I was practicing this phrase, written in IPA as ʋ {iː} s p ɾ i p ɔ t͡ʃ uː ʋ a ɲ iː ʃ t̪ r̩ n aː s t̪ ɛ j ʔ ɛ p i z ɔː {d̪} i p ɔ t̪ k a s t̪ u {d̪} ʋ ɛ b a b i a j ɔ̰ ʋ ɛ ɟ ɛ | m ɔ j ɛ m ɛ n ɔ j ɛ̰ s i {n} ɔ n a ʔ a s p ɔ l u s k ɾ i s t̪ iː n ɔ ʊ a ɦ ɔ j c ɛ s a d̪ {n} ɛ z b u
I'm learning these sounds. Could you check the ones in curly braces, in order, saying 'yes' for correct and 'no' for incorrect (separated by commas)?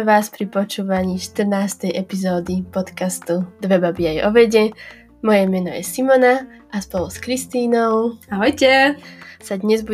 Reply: no, yes, yes, no, no